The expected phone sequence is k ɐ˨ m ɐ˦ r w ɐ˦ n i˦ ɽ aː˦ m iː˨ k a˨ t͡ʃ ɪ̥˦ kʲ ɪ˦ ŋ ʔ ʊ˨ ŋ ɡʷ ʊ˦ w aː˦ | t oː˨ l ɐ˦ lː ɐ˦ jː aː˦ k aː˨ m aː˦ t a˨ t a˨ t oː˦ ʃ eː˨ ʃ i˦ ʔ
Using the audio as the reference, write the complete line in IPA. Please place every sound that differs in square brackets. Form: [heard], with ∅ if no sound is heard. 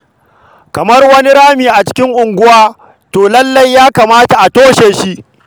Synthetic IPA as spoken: k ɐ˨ m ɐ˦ r w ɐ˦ n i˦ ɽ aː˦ m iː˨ [ʔ] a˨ t͡ʃ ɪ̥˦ kʲ ɪ˦ ŋ ʔ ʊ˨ ŋ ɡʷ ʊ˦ w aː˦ | t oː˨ l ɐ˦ lː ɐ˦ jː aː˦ k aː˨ m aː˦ t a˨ [ʔ] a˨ t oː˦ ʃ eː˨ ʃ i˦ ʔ